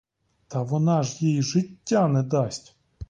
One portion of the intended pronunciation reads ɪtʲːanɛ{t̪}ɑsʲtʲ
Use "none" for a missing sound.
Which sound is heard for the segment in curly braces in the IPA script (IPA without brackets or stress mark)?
d̪